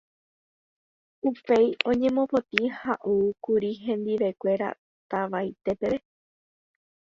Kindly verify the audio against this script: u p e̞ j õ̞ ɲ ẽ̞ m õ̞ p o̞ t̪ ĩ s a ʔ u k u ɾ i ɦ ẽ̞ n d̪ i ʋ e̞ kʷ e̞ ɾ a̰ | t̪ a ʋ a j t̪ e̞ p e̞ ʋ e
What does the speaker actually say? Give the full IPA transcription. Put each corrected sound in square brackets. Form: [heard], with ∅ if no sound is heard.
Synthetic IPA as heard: u p e̞ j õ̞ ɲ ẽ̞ m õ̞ p o̞ t̪ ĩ [h] a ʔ u k u ɾ i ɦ ẽ̞ n d̪ i ʋ e̞ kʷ e̞ ɾ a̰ | t̪ a ʋ a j t̪ e̞ p e̞ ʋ e